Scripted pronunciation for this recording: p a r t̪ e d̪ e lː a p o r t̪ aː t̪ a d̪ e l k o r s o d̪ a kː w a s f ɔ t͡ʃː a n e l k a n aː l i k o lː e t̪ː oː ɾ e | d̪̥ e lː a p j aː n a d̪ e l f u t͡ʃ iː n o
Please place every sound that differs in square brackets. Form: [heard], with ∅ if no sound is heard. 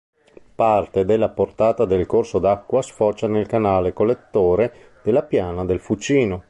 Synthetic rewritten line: p a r t̪ e d̪ e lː a p o r t̪ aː t̪ a d̪ e l k o r s o d̪ a kː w a s f ɔ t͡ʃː a n e l k a n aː l [e] k o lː e t̪ː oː ɾ e | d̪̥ e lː a p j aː n a d̪ e l f u t͡ʃ iː n o